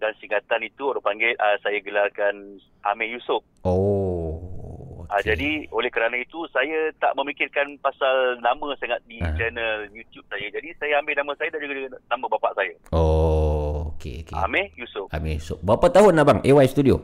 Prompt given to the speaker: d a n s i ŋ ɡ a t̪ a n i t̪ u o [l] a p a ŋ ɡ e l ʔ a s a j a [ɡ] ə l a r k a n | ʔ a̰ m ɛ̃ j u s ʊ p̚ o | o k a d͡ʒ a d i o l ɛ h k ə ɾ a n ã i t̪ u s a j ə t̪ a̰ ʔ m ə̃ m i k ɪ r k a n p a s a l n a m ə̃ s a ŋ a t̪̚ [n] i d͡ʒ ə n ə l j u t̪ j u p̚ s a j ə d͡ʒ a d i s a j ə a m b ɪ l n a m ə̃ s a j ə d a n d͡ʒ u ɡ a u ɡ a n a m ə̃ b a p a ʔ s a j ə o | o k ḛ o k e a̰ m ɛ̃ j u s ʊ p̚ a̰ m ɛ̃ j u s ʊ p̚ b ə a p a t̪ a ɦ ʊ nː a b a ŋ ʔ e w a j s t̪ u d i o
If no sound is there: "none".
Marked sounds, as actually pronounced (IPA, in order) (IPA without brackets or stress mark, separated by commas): ɾ, ɡ, d